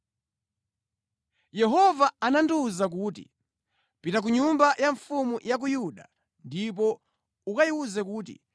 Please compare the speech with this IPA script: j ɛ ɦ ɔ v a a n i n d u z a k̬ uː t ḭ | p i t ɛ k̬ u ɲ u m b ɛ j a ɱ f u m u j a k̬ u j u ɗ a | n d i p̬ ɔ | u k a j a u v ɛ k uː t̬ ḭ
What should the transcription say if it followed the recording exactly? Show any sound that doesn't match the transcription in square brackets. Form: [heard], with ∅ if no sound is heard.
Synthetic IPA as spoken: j ɛ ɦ ɔ v a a n [a] n d u z a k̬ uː t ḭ | p i t [a] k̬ u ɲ u m b [a] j a ɱ f u m u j a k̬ u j u ɗ a | n d i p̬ ɔ | u k a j [i] u [z] ɛ k uː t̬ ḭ